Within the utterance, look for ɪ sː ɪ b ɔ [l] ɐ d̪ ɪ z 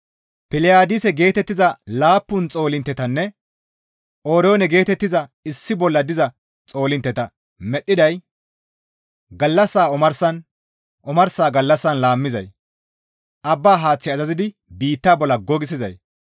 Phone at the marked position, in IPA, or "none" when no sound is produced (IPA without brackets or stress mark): lː